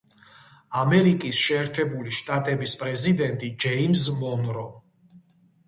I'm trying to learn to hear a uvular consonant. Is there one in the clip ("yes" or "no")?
no